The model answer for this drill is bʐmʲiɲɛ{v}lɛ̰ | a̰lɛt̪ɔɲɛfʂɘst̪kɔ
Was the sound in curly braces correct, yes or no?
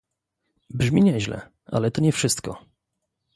no